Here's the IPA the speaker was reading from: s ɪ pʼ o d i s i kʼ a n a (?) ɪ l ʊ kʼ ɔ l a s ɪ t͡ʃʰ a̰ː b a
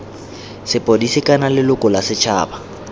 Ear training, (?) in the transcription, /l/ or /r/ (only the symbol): l